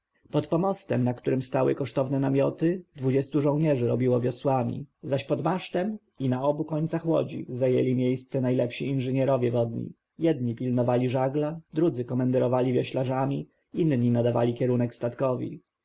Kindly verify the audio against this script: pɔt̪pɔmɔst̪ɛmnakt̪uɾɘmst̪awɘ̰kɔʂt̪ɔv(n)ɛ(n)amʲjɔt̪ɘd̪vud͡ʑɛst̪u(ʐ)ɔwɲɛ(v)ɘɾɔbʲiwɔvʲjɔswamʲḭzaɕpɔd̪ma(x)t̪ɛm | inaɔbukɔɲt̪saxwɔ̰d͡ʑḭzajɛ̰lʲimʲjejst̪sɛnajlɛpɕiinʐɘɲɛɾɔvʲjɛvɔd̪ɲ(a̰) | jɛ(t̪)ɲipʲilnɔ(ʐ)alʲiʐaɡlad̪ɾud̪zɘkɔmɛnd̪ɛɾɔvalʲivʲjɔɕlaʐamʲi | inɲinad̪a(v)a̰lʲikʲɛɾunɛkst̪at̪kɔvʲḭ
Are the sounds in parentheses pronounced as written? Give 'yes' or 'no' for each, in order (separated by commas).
yes, yes, yes, no, no, no, no, no, yes